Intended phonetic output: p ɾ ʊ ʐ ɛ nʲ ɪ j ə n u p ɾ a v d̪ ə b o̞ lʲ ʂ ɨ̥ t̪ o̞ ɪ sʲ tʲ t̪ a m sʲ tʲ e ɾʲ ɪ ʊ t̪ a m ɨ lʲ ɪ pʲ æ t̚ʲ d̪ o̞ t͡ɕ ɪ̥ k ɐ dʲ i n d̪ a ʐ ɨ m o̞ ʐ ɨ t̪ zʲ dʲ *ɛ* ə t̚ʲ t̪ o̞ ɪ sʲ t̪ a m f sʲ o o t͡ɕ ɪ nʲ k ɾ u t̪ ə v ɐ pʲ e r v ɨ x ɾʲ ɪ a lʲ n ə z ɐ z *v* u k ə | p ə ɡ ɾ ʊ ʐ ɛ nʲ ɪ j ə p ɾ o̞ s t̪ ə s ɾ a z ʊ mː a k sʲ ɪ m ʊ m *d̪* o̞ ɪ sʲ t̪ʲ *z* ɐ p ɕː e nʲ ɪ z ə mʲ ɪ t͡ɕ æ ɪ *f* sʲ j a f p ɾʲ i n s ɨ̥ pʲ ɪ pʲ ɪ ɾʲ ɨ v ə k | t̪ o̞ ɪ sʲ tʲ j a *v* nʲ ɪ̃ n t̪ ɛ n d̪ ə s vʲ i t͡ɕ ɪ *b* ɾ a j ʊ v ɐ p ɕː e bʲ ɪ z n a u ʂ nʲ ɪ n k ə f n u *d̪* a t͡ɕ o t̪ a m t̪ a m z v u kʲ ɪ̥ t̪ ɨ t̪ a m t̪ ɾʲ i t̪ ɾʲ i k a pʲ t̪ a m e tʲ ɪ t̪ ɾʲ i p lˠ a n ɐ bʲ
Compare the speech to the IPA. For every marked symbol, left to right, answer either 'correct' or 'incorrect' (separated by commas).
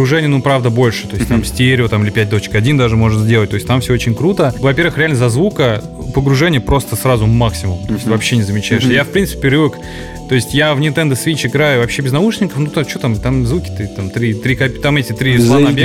incorrect, correct, incorrect, incorrect, incorrect, correct, incorrect, incorrect